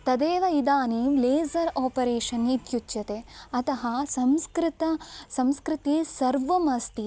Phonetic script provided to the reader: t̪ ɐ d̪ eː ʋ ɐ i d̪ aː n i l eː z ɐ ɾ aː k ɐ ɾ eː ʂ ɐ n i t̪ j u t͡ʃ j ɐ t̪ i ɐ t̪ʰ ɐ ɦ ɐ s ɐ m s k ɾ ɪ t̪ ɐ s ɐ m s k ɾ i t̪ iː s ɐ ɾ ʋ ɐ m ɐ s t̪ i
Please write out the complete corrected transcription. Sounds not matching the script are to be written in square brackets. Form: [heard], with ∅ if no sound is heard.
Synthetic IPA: t̪ ɐ d̪ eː ʋ ɐ i d̪ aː n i l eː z ɐ ɾ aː [p] ɐ ɾ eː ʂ ɐ n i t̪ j u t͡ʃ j ɐ t̪ [e] ɐ [t̪] ɐ ɦ ɐ s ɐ m s k ɾ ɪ t̪ ɐ s ɐ m s k ɾ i t̪ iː s ɐ ɾ ʋ ɐ m ɐ s t̪ i